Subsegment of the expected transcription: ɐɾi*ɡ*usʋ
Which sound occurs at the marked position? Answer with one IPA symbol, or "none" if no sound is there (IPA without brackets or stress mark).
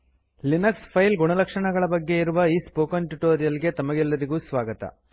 ɡ